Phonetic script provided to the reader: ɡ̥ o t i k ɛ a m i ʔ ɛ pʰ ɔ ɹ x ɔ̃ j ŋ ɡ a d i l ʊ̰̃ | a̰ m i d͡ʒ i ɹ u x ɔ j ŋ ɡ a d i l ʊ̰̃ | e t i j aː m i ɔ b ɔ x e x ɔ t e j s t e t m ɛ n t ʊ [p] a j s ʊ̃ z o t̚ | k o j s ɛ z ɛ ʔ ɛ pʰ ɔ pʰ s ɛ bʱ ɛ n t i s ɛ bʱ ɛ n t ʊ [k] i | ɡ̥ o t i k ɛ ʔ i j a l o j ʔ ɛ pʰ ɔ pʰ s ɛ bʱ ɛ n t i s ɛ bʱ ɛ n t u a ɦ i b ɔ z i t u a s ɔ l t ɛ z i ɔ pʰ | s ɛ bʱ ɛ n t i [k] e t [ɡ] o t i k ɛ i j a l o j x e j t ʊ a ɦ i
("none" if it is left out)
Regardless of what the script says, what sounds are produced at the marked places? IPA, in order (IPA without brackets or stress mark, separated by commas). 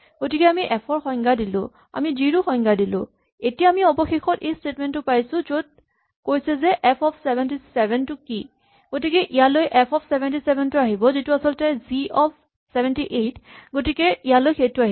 p, k, ʔ, ɡ